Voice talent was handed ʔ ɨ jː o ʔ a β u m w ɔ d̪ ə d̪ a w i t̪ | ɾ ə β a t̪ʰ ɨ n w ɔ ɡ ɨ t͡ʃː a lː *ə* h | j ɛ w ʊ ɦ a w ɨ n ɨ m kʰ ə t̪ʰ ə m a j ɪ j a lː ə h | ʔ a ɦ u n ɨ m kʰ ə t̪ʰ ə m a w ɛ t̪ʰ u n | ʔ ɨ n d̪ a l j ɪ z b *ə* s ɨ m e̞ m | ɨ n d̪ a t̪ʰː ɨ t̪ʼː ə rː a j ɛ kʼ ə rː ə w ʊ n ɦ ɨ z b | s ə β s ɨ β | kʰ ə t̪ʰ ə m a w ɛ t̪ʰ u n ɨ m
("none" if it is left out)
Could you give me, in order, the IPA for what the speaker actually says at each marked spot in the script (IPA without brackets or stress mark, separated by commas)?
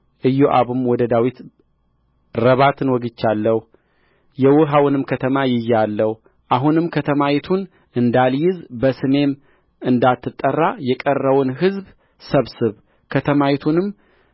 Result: ə, ə